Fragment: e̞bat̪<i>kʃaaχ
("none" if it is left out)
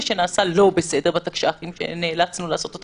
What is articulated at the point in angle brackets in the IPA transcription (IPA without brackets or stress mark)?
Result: a